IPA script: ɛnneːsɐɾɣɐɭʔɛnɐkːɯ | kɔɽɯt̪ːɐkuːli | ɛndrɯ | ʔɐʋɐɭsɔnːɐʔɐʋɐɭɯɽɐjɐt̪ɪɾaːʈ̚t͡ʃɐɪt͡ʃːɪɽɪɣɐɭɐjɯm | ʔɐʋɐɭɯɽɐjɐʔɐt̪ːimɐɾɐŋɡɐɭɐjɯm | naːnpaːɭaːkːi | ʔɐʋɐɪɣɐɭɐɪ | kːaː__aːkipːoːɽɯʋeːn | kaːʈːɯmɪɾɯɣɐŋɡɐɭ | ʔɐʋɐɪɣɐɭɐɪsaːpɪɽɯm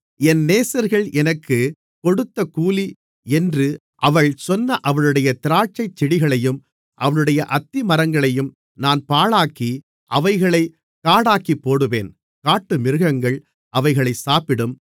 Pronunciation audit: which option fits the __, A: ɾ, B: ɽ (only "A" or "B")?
B